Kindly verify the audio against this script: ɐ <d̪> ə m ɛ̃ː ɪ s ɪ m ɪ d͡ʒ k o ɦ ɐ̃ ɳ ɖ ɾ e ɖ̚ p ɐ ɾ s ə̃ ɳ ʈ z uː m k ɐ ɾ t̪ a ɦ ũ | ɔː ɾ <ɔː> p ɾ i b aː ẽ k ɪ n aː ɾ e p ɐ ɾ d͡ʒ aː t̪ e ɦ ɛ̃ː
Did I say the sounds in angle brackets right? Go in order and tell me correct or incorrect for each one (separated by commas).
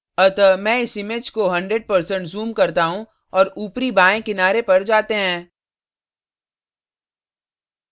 incorrect, incorrect